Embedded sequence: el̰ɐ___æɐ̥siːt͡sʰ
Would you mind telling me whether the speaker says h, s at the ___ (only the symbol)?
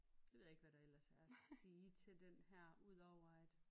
s